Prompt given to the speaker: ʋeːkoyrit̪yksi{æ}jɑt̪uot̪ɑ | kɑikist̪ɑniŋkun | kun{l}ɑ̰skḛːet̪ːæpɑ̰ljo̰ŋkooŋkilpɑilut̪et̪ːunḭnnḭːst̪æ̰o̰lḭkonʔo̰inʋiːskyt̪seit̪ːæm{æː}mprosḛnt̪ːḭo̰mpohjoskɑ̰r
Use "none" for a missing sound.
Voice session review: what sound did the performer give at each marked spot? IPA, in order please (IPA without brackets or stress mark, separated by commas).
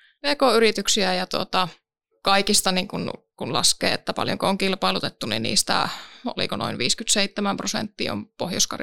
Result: æ, l, æ